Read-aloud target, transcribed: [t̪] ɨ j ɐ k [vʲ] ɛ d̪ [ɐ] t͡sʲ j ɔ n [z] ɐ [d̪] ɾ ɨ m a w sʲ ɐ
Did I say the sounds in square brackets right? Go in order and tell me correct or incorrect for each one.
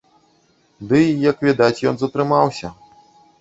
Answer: incorrect: d̪, correct, incorrect: a, correct, incorrect: t̪

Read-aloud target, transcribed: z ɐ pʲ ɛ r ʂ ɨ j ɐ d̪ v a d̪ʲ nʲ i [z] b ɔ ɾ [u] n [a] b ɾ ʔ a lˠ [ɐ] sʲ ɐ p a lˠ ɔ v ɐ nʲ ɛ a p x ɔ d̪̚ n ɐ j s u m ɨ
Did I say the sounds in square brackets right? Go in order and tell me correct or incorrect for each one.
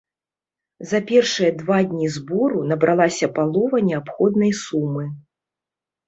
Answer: correct, correct, incorrect: ɐ, incorrect: a

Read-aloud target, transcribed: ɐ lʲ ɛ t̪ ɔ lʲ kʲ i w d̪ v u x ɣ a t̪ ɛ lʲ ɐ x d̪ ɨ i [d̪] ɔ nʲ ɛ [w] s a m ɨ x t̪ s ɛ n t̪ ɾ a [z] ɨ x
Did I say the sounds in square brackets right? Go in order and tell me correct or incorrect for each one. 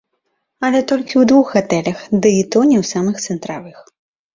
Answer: incorrect: t̪, correct, incorrect: v

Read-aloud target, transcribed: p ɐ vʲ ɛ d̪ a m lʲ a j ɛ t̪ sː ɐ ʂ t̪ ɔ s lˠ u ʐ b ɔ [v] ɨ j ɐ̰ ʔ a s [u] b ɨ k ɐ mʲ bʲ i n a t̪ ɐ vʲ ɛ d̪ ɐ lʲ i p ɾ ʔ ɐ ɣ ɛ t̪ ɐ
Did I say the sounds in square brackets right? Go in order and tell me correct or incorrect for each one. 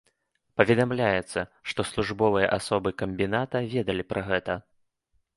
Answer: correct, incorrect: ɔ

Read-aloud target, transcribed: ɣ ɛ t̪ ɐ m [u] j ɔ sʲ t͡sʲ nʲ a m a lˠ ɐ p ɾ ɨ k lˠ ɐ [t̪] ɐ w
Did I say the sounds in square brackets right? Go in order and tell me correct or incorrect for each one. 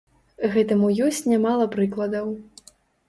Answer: correct, incorrect: d̪

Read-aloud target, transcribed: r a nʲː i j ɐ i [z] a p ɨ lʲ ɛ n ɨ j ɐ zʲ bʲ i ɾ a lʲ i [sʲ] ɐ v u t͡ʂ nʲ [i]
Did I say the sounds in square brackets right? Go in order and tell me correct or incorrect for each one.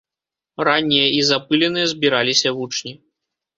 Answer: correct, correct, correct

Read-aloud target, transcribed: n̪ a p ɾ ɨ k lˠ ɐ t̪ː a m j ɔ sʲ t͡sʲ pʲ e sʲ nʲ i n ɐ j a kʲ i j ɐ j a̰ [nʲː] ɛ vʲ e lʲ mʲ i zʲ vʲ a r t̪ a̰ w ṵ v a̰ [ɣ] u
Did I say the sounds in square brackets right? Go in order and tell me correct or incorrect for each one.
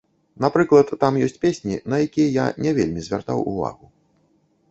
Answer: incorrect: nʲ, correct

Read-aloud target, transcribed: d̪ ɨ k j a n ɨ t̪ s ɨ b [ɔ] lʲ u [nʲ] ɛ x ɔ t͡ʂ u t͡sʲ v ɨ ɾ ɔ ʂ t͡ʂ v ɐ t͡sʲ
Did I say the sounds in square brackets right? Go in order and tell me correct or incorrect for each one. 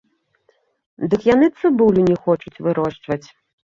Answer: incorrect: u, correct

